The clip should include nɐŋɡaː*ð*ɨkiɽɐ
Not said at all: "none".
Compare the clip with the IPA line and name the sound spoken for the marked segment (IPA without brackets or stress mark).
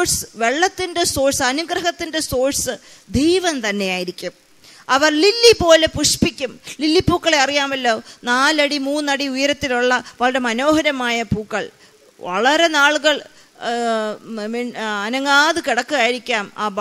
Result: ð